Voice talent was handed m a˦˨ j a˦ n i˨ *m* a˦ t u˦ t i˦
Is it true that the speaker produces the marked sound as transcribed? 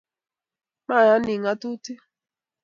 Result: no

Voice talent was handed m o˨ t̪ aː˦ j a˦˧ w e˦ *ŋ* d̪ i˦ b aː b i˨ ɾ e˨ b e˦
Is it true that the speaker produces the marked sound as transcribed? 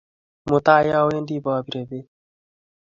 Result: no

